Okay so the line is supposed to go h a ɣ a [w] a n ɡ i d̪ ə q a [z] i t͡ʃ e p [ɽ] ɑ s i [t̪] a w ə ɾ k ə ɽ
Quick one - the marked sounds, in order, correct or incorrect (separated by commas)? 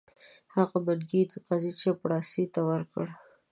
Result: incorrect, correct, correct, correct